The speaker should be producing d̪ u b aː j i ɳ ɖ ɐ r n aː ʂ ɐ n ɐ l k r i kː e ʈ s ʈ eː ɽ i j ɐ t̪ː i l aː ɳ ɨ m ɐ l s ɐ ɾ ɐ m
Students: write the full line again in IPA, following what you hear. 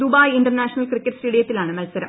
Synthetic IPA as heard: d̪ u b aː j i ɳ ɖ ɐ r n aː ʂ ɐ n ɐ l k r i kː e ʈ s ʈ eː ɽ i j ɐ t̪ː i l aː ɳ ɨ m ɐ l s ɐ ɾ ɐ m